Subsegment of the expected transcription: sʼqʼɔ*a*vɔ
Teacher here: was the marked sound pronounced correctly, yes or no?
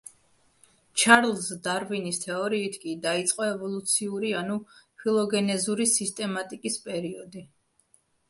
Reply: no